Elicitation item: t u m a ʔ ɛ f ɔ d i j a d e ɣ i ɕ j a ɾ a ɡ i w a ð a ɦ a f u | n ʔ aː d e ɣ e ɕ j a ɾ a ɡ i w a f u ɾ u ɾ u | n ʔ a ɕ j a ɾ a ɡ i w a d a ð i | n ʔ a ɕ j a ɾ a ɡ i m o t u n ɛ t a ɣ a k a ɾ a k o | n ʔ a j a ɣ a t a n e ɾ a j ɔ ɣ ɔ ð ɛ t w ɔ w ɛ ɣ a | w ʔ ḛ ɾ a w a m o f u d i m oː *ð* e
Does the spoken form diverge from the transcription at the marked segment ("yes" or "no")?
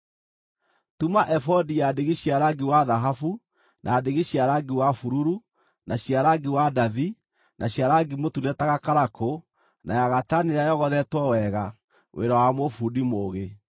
yes